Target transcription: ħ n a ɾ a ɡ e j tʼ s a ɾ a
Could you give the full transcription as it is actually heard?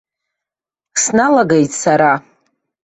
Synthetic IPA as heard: s n a l a ɡ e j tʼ s a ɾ a